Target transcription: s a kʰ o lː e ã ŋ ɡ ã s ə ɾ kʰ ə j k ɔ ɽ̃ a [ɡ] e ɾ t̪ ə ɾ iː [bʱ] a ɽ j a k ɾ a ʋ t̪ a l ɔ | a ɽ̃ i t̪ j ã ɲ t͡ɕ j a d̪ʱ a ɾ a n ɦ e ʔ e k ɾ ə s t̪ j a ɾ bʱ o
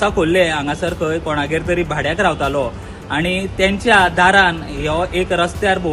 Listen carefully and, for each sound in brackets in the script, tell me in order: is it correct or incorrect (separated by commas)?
correct, correct